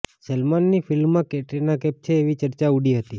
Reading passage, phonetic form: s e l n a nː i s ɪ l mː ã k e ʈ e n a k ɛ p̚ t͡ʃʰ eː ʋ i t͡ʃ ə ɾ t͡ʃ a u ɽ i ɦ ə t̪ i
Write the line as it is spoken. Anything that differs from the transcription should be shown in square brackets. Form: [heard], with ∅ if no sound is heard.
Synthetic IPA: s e l [m] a nː i [f] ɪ l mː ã k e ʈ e n a k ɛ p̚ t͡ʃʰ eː ʋ i t͡ʃ ə ɾ t͡ʃ a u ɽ i ɦ ə t̪ i